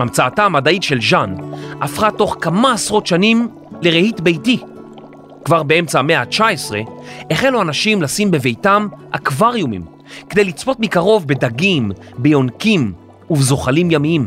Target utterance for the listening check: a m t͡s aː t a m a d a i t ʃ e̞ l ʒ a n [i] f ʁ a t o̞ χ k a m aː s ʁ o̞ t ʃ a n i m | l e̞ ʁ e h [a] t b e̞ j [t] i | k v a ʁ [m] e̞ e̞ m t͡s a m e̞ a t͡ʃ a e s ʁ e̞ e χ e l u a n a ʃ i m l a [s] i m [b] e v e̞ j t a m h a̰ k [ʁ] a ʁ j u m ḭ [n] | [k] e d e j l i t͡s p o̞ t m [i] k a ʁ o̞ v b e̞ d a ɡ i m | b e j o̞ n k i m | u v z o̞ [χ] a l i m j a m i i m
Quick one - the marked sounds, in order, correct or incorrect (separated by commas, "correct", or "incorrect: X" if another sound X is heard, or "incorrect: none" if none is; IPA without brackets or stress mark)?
incorrect: a, incorrect: i, correct, incorrect: b, correct, correct, incorrect: v, incorrect: m, correct, correct, correct